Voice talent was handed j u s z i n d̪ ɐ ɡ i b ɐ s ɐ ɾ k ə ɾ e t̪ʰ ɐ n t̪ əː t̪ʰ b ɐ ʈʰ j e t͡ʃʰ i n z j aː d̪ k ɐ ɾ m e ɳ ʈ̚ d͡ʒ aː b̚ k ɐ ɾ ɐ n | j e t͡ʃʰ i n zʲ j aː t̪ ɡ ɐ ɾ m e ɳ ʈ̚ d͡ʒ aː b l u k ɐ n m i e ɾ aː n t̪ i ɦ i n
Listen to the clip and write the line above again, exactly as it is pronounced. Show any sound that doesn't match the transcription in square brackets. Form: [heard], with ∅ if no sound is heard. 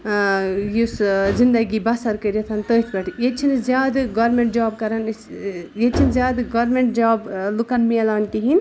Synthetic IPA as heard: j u s z i n d̪ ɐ ɡ i b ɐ s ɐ ɾ k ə ɾ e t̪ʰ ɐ n t̪ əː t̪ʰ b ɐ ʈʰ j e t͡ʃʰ i n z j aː d̪ [ɡ] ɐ ɾ m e ɳ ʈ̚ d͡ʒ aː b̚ k ɐ ɾ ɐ n | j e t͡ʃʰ i n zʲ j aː [d̪] ɡ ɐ ɾ m e ɳ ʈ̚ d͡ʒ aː b l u k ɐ n m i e [l] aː n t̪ i ɦ i n